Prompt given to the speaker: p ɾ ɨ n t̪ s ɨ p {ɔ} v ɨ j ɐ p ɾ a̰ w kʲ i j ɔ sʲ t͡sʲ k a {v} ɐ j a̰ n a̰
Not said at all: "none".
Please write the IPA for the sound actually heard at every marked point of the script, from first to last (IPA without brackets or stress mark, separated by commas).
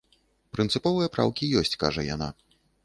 ɔ, ʐ